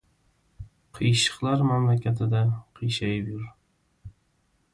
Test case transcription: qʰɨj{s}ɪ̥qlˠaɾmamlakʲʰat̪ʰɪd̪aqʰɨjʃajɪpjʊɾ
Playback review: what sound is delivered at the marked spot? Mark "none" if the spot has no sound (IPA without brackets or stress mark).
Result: ʃ